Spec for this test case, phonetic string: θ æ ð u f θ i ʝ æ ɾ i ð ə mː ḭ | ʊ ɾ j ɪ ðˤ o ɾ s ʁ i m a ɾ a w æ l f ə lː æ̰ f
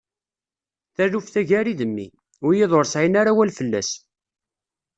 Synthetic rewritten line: θ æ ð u f θ æ ʝ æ ɾ i ð ə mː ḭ | ʊ ɾ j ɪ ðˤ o ɾ s ʕ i n a ɾ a w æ l f ə lː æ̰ s